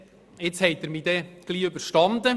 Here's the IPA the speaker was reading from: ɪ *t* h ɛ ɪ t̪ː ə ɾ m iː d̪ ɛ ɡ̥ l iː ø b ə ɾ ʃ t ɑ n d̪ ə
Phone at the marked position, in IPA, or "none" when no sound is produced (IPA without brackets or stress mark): t͡s